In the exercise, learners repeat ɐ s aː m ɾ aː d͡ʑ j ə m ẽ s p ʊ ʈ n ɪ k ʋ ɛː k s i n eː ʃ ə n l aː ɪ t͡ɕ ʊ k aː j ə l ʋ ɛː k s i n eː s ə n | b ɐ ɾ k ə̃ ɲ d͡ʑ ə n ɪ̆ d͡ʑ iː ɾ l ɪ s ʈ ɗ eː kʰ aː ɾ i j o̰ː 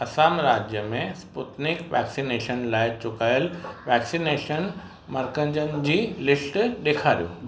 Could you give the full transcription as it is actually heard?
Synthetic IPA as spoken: ɐ s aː m ɾ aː d͡ʑ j ə m ẽ s p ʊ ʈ n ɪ k ʋ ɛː k s i n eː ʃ ə n l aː ɪ t͡ɕ ʊ k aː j ə l ʋ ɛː k s i n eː ʃ ə n | m ɐ ɾ k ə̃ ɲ d͡ʑ ə n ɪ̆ d͡ʑ iː l ɪ s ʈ ɗ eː kʰ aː ɾ i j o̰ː